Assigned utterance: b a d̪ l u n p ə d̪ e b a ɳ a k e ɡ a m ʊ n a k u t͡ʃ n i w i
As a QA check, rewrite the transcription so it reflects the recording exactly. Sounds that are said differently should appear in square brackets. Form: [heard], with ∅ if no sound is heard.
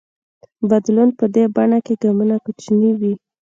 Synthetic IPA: b a d̪ l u n p ə d̪ e b a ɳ a k e ɡ a m [u] n a k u t͡ʃ n i w i